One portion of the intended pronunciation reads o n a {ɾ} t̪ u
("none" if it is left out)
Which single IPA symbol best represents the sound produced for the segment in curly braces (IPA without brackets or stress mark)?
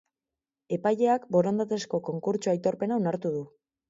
ɾ